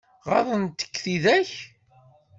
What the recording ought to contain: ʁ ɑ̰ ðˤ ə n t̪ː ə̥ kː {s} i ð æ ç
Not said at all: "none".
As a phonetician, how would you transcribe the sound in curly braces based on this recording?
θ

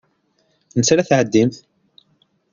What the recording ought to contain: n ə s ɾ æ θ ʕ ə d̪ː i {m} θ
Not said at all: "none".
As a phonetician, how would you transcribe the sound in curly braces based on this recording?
m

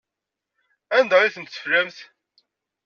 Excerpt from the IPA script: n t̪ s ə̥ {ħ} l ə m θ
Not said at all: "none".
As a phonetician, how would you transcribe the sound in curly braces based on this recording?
f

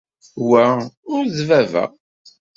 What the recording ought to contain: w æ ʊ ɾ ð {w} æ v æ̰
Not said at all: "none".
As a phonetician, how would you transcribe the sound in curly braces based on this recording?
v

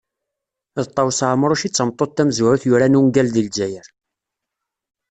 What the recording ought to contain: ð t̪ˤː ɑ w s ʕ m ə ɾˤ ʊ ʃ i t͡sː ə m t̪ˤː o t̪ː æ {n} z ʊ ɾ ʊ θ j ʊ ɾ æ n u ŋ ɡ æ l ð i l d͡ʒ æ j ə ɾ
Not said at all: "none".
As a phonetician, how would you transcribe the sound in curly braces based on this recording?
m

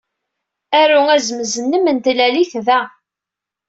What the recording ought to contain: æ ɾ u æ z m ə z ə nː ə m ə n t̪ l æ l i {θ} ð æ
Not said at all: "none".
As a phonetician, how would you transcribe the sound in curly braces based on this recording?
θ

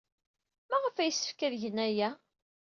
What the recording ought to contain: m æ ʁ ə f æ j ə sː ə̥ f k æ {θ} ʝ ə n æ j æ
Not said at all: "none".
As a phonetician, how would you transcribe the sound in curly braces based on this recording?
ð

